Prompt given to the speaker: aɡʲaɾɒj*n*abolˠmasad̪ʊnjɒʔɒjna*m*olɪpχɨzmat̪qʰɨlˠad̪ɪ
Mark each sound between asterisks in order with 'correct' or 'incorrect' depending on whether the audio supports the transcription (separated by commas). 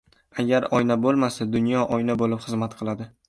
correct, incorrect